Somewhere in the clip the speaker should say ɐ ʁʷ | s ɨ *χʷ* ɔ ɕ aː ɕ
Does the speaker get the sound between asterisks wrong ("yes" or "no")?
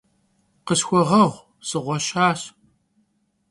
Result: yes